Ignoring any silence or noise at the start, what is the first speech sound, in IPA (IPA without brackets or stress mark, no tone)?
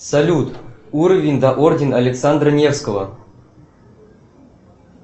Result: s